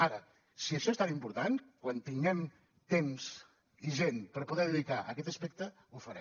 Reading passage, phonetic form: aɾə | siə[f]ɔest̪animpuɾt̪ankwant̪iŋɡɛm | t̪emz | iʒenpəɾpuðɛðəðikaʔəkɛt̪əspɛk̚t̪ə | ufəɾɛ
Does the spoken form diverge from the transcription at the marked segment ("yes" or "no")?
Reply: yes